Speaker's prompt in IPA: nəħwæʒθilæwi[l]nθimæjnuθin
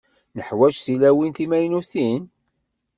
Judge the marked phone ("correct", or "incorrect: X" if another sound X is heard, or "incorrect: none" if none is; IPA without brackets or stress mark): incorrect: none